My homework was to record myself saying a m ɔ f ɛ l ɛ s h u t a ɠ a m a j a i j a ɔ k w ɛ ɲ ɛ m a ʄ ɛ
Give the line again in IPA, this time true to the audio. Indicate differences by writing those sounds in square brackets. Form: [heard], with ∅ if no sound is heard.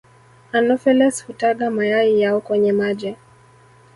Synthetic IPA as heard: a [n] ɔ f ɛ l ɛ s h u t a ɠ a m a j a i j a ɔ k w ɛ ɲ ɛ m a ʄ ɛ

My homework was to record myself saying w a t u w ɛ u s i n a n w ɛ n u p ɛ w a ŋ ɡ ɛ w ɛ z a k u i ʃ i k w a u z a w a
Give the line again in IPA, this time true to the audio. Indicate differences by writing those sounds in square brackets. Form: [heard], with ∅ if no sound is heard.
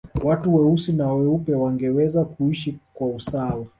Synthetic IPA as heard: w a t u w ɛ u s i n a [∅] w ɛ [∅] u p ɛ w a ŋ ɡ ɛ w ɛ z a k u i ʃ i k w a u [s] a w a

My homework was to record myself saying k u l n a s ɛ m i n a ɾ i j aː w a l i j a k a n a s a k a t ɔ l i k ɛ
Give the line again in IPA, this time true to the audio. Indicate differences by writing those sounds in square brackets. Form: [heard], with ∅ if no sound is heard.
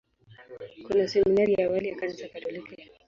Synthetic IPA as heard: k u [∅] n a s ɛ m i n a ɾ i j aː w a l i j a k a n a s a k a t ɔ l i k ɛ

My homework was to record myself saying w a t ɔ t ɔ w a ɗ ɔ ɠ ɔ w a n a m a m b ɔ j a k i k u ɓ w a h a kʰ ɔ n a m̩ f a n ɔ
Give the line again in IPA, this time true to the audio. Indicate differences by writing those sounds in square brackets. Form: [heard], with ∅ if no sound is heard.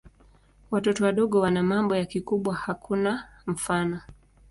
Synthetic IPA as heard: w a t ɔ t ɔ w a ɗ ɔ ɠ ɔ w a n a m a m b ɔ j a k i k u ɓ w a h a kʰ [u] n a m̩ f a n ɔ

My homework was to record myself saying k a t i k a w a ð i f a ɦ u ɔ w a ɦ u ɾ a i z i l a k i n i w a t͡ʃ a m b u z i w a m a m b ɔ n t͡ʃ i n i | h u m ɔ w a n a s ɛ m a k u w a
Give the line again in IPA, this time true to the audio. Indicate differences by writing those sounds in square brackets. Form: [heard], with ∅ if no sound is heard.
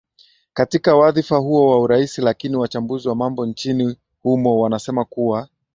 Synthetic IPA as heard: k a t i k a w a ð i f a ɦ u ɔ w a [∅] u ɾ a i [s] i l a k i n i w a t͡ʃ a m b u z i w a m a m b ɔ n t͡ʃ i n i | h u m ɔ w a n a s ɛ m a k u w a

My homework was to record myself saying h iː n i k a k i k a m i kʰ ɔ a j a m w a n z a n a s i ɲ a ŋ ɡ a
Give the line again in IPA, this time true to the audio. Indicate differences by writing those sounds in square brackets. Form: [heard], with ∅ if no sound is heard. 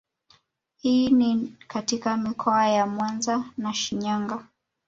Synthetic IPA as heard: h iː n i k a [t] i k a m i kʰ ɔ a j a m w a n z a n a [ʃ] i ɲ a ŋ ɡ a

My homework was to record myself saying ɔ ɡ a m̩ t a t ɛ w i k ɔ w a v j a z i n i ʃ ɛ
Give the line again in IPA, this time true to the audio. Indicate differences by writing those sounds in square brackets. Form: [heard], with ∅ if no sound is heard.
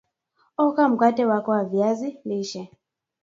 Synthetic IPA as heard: ɔ [k] a m̩ [k] a t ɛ w [a] k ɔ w a v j a z i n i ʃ ɛ

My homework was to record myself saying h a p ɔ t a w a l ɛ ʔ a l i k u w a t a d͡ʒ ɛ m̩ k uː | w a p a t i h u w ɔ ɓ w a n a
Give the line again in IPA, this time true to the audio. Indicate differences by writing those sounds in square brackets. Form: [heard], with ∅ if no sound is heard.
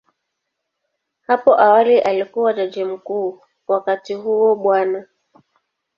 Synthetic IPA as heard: h a p ɔ [ʔ] a w a l [i] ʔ a l i k u w a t a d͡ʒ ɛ m̩ k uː | w a [k] a t i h u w ɔ ɓ w a n a

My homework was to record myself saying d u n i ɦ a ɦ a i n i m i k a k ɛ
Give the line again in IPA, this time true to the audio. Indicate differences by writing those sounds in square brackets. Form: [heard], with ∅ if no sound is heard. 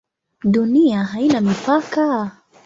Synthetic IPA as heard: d u n i [∅] a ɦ a i n [a] m i [p] a k [a]

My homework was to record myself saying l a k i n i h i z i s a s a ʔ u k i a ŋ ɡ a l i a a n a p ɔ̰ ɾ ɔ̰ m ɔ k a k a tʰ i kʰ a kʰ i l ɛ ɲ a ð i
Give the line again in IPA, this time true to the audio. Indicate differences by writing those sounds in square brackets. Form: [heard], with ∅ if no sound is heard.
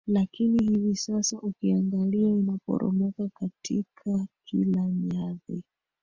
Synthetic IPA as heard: l a k i n i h i [v] i s a s a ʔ u k i a ŋ ɡ a l i a [i] n a p ɔ̰ ɾ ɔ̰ m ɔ k a k a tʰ i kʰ a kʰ i l [a] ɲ a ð i

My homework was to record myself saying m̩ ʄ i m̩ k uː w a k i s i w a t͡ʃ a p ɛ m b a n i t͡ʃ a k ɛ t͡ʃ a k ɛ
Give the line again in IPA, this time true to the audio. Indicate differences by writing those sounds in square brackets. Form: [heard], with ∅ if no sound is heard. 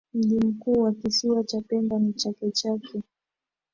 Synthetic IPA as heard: m̩ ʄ i m̩ k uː w a k i s i w a t͡ʃ a p ɛ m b a n i t͡ʃ a k ɛ t͡ʃ a k ɛ

